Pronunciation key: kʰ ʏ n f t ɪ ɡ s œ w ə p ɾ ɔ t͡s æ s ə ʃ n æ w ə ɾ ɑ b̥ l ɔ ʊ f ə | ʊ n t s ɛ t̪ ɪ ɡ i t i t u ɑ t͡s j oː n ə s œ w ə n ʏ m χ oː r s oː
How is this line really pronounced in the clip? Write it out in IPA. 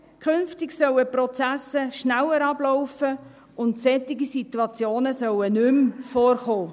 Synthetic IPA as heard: kʰ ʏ n f t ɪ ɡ s œ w ə p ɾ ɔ t͡s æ s ə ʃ n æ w ə ɾ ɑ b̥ l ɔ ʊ f ə | ʊ n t s ɛ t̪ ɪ ɡ i s i t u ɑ t͡s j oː n ə s œ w ə n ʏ m f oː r χ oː